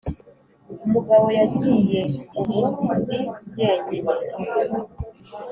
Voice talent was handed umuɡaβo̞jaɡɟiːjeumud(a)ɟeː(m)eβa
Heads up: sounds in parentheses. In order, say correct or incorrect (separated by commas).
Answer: incorrect, incorrect